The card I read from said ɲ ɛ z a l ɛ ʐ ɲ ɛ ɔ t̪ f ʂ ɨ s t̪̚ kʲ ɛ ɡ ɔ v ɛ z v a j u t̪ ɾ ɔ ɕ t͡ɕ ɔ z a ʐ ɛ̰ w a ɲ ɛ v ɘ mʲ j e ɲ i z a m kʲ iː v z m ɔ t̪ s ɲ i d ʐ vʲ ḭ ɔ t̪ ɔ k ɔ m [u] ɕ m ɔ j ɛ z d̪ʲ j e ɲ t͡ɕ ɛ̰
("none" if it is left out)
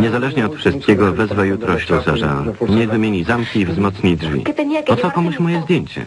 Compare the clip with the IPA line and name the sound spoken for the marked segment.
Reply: u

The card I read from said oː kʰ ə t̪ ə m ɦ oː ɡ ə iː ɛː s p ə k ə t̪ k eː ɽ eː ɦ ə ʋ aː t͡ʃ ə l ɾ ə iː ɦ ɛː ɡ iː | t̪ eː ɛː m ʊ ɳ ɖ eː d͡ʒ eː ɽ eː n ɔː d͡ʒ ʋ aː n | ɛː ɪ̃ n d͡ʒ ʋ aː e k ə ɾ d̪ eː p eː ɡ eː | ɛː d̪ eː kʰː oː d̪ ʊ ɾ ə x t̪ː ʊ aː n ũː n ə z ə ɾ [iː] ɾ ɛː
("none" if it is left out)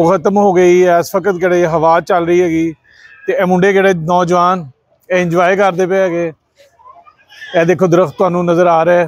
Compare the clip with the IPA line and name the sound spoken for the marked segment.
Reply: aː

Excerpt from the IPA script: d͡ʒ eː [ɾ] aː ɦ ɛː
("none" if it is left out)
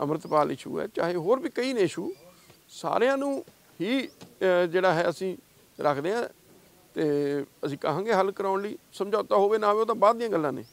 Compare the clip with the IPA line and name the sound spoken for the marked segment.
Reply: ɽ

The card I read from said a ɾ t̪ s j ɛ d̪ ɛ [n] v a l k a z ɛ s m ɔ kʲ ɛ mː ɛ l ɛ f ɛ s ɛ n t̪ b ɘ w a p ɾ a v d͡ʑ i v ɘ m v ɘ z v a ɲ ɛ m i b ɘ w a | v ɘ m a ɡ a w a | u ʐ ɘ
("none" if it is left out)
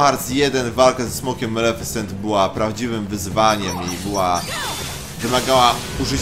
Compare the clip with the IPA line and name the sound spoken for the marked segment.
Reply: n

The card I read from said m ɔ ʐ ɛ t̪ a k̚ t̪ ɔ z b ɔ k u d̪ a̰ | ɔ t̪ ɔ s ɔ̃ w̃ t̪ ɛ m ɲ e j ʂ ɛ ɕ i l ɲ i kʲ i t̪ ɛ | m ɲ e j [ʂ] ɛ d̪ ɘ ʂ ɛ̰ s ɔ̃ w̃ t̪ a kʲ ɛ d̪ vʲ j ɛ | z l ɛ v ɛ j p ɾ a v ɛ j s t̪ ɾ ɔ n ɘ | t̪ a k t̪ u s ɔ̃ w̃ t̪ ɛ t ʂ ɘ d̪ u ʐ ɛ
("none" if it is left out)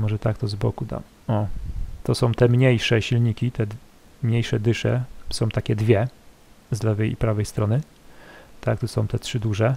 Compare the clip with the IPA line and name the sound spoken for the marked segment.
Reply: ʂ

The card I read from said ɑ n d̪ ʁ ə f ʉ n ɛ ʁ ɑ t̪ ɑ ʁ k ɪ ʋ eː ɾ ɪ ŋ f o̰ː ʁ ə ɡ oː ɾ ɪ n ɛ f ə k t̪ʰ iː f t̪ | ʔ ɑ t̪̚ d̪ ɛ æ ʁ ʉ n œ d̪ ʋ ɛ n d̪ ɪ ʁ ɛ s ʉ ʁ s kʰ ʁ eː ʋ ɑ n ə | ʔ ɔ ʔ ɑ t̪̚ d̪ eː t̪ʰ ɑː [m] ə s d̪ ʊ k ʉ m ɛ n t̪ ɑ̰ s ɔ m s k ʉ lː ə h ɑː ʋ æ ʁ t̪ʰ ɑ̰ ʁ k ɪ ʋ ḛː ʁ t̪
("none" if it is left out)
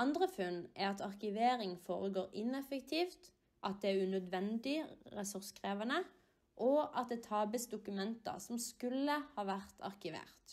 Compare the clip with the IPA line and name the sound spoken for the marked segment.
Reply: b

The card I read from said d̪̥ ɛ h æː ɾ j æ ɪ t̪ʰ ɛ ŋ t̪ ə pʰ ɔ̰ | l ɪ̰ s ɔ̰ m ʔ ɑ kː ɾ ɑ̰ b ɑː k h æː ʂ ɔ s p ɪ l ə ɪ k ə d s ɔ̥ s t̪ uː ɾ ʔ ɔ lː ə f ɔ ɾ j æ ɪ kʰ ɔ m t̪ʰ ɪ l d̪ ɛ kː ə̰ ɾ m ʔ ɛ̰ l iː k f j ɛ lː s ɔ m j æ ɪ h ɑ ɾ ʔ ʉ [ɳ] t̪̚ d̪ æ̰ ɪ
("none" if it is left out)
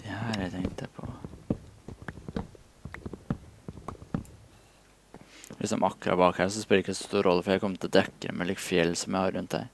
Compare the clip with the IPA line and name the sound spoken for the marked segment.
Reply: n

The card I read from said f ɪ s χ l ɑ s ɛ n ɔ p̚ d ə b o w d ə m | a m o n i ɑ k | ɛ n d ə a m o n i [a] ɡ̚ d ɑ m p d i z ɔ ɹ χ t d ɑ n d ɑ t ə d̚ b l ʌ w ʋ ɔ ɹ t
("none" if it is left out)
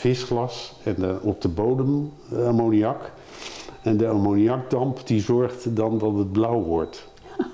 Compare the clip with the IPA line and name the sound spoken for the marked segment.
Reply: ɑ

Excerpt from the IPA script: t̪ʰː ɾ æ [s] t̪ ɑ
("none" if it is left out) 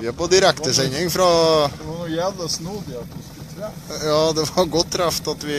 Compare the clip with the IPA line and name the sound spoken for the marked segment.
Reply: f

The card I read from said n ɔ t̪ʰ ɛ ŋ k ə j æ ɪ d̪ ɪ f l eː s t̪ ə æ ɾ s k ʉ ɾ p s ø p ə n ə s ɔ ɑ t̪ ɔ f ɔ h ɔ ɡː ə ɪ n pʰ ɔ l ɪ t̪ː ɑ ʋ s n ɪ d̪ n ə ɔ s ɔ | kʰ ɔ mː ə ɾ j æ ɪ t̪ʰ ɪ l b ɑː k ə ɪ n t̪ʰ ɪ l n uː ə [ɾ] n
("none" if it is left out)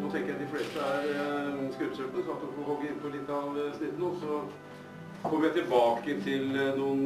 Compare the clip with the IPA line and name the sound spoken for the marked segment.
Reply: none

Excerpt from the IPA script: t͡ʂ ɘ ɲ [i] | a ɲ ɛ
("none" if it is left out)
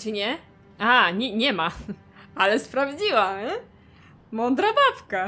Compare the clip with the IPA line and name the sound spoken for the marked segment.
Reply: ɛ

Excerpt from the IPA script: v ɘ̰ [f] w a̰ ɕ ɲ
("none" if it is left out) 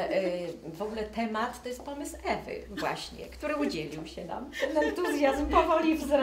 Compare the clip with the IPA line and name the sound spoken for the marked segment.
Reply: v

